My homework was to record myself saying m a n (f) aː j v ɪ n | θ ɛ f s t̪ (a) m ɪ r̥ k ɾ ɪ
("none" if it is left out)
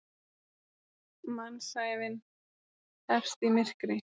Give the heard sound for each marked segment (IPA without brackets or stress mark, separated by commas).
s, i